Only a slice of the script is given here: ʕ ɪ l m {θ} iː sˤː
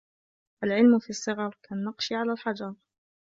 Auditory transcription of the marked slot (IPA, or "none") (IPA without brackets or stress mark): f